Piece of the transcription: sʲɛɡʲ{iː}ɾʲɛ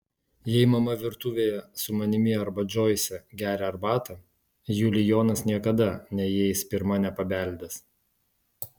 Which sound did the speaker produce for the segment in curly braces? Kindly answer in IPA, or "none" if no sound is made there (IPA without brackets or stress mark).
æː